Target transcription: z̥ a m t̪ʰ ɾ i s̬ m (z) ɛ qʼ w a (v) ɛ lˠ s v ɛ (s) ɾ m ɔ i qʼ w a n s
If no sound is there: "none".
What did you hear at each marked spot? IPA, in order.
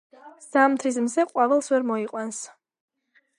z, v, none

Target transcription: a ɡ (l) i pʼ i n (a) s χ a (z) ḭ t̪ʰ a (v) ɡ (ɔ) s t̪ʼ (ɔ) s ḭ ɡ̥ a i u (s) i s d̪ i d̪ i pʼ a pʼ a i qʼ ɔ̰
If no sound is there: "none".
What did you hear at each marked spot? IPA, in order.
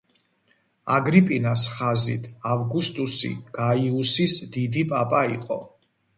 ɾ, a, z, v, u, u, s

